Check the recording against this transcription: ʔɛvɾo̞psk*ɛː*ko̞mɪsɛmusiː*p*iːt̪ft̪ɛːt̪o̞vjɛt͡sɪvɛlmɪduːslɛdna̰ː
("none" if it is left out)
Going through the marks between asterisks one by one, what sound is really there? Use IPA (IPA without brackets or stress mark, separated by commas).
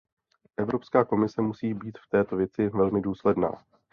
aː, b